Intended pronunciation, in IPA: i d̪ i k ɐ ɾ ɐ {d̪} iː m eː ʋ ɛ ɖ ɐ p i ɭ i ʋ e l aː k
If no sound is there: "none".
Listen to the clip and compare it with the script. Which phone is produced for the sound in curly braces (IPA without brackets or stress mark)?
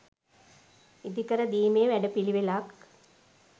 d̪